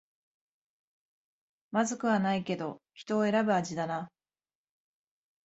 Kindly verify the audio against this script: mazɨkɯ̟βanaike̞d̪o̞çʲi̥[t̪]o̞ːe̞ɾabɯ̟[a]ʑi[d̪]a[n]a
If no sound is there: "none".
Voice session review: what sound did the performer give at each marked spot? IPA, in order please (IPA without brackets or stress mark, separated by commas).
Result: t̪, a, d̪, n